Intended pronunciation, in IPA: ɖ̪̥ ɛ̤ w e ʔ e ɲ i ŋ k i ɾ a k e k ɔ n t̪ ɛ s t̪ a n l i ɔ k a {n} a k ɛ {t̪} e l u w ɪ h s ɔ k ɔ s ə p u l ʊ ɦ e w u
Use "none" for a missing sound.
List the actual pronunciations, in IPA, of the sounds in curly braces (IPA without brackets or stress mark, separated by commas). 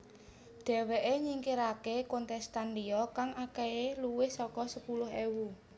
ŋ, none